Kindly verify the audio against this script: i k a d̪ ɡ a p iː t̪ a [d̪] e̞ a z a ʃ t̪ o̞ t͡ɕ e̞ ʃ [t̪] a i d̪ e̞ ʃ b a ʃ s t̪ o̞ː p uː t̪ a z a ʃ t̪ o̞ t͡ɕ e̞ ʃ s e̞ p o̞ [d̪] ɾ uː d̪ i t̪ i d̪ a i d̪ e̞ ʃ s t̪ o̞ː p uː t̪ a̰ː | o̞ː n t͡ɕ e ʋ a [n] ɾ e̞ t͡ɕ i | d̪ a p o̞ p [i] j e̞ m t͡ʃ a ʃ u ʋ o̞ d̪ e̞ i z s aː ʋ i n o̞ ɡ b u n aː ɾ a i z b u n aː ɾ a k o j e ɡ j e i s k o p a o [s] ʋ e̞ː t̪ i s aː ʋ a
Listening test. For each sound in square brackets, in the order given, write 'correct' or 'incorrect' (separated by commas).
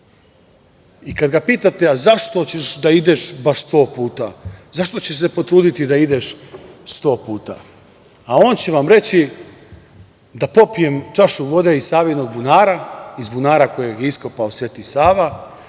incorrect, incorrect, incorrect, incorrect, correct, correct